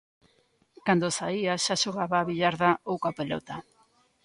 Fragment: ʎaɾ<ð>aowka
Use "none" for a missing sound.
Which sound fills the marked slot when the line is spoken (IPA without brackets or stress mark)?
ð